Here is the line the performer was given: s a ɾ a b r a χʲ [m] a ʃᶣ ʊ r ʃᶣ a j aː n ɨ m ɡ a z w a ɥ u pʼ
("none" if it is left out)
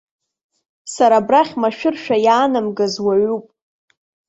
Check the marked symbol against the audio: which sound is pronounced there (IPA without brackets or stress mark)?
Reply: m